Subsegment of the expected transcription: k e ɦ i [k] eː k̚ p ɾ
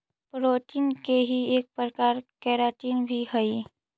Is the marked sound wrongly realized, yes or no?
yes